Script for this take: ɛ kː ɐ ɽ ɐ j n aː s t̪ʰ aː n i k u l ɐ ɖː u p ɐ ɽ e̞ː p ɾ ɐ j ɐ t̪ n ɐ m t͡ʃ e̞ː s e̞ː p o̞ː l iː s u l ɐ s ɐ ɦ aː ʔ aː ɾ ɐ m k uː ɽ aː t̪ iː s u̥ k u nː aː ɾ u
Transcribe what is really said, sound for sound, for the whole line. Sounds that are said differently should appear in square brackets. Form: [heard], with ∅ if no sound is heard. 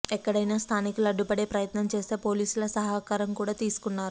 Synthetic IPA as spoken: ɛ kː ɐ ɽ ɐ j n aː s t̪ʰ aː n i k u l ɐ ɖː u p ɐ ɽ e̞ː p ɾ ɐ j ɐ t̪ n ɐ m t͡ʃ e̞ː s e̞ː p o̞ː l iː s u l ɐ s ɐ ɦ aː [k] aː ɾ ɐ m k uː ɽ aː t̪ iː s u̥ k u nː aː ɾ u